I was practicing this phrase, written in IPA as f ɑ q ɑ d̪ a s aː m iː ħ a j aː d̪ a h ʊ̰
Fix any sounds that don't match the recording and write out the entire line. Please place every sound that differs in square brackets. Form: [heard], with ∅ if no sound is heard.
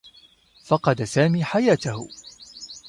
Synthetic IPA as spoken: f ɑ q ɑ d̪ a s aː m iː ħ a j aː [t̪] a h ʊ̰